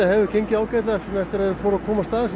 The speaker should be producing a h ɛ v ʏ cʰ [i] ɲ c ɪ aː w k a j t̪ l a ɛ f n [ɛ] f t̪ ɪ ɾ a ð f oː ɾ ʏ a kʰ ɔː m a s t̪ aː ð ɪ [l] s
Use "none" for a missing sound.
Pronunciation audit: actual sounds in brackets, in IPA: e, ɛ, none

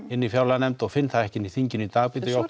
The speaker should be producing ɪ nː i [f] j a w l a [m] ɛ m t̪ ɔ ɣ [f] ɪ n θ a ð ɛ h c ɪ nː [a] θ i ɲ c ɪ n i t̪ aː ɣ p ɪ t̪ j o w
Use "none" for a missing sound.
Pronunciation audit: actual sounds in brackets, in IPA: f, n, f, i

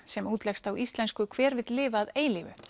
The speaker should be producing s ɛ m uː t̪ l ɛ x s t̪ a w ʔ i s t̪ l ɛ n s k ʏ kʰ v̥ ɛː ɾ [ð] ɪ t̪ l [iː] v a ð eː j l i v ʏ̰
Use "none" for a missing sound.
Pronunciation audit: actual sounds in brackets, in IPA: v, ɪː

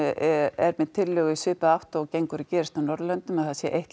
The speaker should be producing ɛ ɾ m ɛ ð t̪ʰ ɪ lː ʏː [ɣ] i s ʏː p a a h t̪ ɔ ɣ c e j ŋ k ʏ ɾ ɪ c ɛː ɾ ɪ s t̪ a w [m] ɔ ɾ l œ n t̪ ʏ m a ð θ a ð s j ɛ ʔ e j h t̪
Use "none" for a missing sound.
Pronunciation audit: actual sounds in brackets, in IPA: ɣ, n

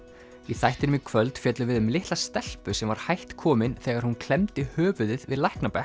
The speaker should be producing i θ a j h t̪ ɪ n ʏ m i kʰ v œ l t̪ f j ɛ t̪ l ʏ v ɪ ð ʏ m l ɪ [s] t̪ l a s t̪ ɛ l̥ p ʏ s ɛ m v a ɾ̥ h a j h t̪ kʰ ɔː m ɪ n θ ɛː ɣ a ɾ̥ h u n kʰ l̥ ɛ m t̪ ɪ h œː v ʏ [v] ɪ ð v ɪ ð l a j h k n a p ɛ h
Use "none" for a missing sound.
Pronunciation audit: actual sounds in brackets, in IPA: h, ð

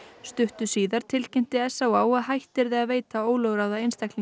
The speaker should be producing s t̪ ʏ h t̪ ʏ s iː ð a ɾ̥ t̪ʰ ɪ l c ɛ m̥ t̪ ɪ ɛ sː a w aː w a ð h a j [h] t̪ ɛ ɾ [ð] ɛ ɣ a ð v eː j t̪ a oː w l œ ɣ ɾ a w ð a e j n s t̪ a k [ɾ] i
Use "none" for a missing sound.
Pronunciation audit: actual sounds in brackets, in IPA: h, ð, l

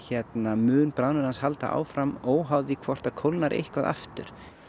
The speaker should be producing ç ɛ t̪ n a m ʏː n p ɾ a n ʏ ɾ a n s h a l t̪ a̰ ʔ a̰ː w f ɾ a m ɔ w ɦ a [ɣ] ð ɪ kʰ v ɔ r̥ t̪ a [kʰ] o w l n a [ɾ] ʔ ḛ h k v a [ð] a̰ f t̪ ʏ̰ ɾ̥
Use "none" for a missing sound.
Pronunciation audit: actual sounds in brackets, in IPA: w, kʰ, ɾ, ð

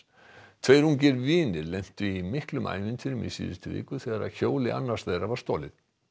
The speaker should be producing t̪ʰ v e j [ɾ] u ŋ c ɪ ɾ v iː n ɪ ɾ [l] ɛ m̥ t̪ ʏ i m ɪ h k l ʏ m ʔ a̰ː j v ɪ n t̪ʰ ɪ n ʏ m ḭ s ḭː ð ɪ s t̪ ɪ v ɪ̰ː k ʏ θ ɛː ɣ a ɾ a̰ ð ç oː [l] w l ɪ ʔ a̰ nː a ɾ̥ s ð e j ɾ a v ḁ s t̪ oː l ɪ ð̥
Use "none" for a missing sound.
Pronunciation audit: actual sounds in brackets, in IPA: ɾ, l, none

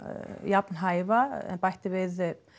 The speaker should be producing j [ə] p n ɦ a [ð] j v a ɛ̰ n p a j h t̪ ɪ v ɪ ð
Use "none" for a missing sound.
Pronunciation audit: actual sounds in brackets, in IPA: a, none

